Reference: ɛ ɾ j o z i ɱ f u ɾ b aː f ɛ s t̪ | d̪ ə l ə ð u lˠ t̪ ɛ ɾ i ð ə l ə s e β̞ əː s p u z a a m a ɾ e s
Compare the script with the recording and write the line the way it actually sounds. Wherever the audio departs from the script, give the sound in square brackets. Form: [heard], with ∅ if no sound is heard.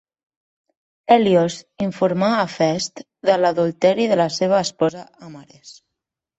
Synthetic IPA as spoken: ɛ [l] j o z i ɱ f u ɾ [m] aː f ɛ s t̪ | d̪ ə l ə ð u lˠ t̪ ɛ ɾ i ð ə l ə s e β̞ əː s p [ɔ] z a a m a ɾ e s